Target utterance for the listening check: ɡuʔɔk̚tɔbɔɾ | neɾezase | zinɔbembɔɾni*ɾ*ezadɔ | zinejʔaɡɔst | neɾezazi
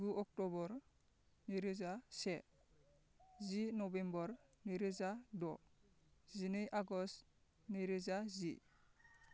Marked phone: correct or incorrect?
correct